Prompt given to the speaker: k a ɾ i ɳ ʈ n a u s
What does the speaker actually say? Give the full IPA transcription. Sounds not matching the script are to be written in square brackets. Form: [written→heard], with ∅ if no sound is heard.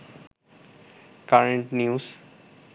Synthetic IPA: k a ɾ [i→e] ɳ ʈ n [a→i] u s